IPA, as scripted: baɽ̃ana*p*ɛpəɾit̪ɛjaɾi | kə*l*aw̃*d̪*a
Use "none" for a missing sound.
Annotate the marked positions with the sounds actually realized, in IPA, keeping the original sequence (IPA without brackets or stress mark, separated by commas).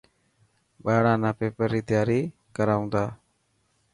p, ɾ, d̪